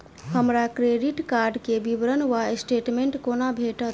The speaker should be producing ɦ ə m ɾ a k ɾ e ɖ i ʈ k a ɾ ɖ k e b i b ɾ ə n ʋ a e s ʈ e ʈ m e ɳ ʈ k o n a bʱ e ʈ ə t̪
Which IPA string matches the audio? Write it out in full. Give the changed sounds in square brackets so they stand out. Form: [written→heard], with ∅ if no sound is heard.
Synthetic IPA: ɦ ə m ɾ a k ɾ e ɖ i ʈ k a ɾ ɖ k e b i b ɾ ə n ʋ a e s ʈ e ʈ m e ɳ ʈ k o n a bʱ e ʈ ə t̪